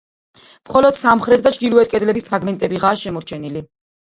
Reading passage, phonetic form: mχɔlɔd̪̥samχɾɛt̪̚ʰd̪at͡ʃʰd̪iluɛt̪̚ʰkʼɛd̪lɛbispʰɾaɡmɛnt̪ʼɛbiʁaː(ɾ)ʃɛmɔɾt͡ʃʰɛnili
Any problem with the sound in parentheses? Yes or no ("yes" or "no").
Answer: yes